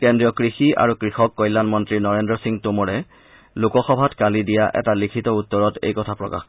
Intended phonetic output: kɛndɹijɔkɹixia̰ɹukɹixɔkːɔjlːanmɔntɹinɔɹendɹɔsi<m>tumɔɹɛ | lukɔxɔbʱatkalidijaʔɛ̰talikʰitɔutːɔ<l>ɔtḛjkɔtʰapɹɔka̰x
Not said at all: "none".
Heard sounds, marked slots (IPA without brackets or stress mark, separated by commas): ŋ, ɹ